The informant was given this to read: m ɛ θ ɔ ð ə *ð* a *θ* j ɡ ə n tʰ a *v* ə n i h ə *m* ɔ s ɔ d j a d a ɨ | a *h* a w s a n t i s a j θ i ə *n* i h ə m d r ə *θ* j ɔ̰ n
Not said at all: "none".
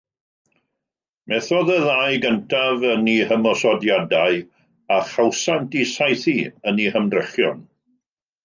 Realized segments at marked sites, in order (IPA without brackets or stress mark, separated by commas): ð, none, v, m, χ, n, χ